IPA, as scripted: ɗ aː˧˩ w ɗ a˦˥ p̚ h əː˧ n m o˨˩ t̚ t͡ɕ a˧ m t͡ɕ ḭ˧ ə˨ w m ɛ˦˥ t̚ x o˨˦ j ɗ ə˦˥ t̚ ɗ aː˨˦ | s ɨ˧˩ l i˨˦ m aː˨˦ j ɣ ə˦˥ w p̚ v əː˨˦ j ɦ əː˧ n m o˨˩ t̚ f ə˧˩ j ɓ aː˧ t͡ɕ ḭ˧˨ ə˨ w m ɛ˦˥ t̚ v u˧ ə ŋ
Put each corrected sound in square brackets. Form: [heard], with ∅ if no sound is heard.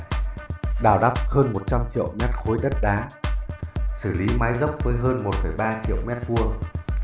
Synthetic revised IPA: ɗ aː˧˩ w ɗ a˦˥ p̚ h əː˧ n m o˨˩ t̚ t͡ɕ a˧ m t͡ɕ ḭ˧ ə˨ w m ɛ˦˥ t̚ x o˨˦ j ɗ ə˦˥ t̚ ɗ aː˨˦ | s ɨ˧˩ l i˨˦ m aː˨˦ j [z] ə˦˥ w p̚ v əː˨˦ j ɦ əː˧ n m o˨˩ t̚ f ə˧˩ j ɓ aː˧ t͡ɕ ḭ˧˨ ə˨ w m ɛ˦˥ t̚ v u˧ ə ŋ